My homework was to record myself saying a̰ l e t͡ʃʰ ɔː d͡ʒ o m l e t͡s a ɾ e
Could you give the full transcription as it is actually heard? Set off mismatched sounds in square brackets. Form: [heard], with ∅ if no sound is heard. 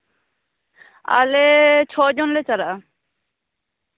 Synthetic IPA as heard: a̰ l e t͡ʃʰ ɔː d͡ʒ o [n] l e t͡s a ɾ [a]